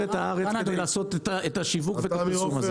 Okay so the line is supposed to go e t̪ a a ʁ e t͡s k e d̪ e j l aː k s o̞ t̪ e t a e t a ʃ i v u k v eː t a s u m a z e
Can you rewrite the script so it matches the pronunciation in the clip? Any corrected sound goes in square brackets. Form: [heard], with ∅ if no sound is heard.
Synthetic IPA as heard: e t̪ a a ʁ e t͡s k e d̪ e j l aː [∅] s o̞ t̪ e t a e t a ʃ i v u k v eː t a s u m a z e